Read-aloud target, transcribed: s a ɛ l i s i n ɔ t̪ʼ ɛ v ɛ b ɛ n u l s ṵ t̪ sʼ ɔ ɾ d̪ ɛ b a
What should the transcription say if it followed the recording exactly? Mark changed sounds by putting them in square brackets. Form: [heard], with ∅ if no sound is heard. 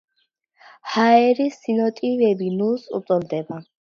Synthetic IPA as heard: [h] a ɛ [ɾ] i s i n ɔ t̪ʼ [i] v ɛ b [i] n u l s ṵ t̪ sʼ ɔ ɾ d̪ ɛ b a

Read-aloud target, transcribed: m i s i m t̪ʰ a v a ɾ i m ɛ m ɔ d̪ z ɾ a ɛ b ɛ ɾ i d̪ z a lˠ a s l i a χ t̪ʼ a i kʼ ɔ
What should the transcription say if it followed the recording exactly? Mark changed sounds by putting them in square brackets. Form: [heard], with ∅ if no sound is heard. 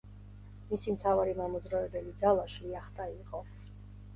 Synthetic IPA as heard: m i s i m t̪ʰ a v a ɾ i m [a] m ɔ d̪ z ɾ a ɛ b ɛ [l] i d̪ z a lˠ a [ʃ] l i a χ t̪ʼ a i [qʼ] ɔ

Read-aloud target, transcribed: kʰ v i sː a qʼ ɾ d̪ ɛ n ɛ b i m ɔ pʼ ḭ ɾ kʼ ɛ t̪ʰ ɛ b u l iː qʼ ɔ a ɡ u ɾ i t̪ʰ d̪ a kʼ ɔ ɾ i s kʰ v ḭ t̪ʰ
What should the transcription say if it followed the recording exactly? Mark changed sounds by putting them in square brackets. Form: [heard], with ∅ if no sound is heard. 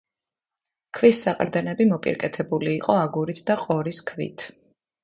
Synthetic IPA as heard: kʰ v i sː a qʼ ɾ d̪ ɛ n ɛ b i m ɔ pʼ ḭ ɾ kʼ ɛ t̪ʰ ɛ b u l iː qʼ ɔ a ɡ u ɾ i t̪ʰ d̪ a [qʼ] ɔ ɾ i s kʰ v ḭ t̪ʰ

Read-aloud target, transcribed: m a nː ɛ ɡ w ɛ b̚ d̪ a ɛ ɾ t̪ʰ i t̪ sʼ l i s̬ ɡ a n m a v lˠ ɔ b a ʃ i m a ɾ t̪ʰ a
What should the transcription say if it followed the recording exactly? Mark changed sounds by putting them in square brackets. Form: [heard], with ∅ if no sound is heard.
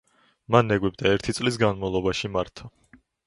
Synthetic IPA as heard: m a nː ɛ ɡ w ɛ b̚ d̪ a ɛ ɾ t̪ʰ i t̪ sʼ l i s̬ ɡ a n m a v lˠ ɔ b a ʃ i m a ɾ t̪ʰ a

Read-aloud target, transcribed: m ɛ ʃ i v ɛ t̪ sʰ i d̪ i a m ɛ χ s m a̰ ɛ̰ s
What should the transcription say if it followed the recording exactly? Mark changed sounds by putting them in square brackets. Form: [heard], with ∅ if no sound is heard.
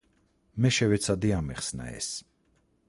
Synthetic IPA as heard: m ɛ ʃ [ɛ] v ɛ t̪ sʰ [a] d̪ i a m ɛ χ s [n] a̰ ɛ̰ s

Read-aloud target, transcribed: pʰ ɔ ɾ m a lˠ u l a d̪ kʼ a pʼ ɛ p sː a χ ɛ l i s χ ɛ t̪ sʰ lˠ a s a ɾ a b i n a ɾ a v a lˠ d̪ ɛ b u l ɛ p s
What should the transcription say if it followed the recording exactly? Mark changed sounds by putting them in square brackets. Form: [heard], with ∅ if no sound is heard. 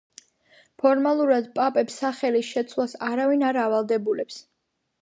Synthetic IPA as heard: pʰ ɔ ɾ m a lˠ u [ɾ] a d̪ [pʼ] a pʼ ɛ p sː a χ ɛ l i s [ʃ] ɛ t̪ sʰ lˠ a s a ɾ a [v] i n a ɾ a v a lˠ d̪ ɛ b u l ɛ p s

